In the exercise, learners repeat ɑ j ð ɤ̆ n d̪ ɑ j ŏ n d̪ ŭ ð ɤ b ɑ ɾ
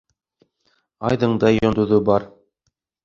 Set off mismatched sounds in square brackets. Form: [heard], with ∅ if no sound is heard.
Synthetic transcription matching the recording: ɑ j ð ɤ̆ [ɴ] d̪ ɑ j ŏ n d̪ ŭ ð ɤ b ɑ ɾ